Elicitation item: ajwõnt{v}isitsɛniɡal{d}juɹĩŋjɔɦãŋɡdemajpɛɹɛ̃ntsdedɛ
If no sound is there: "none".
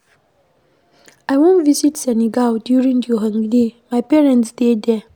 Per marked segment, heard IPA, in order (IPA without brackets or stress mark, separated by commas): v, d